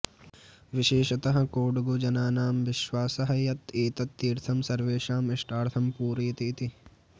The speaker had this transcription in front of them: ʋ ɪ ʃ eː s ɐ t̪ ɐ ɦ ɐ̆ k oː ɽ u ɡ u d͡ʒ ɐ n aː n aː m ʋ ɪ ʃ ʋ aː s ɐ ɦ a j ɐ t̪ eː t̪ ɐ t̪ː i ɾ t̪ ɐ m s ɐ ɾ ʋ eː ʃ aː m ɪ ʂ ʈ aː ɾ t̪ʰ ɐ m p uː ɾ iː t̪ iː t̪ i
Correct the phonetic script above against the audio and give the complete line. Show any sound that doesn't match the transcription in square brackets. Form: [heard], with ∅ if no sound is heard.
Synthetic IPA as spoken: ʋ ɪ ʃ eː [ʃ] ɐ t̪ ɐ ɦ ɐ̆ k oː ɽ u ɡ u d͡ʒ ɐ n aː n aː m ʋ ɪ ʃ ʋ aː s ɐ ɦ [ɐ] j ɐ t̪ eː t̪ ɐ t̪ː [iː] ɾ [t̪ʰ] ɐ m s ɐ ɾ ʋ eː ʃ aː m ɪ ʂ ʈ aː ɾ t̪ʰ ɐ m p uː ɾ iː t̪ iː t̪ i